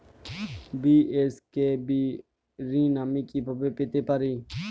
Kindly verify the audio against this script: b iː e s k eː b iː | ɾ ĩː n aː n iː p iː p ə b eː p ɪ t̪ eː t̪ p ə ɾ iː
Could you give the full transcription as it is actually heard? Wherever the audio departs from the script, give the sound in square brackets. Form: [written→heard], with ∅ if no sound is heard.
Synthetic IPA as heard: b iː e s k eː b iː | ɾ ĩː n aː [n→m] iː [p→k] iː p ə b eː p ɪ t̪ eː [t̪→∅] p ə ɾ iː